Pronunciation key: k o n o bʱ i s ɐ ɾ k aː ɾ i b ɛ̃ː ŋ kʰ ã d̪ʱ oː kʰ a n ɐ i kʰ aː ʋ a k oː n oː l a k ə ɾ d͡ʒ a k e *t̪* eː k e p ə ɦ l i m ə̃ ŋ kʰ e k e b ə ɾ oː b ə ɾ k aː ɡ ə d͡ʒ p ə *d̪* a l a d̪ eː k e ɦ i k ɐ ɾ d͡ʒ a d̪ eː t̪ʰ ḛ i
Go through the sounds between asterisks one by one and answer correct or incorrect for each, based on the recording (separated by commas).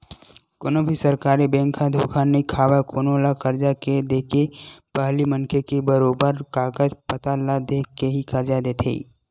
incorrect, incorrect